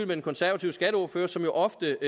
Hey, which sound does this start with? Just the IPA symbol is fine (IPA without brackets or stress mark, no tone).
l